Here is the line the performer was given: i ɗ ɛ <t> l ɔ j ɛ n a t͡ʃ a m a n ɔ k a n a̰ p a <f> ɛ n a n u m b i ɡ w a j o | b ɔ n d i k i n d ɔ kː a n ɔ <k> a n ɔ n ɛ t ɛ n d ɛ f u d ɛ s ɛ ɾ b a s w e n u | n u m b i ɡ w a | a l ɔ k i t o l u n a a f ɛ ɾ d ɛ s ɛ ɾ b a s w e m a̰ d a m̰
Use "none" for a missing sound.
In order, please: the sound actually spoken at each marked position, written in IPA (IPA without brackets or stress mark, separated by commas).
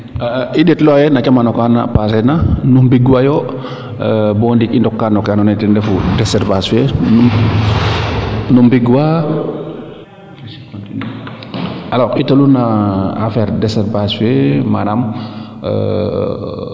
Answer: t, s, k